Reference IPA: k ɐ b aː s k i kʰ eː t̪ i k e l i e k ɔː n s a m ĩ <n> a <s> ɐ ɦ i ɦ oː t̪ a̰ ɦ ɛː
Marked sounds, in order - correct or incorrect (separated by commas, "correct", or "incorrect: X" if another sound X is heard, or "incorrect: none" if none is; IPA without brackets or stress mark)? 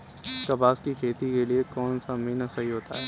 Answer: correct, correct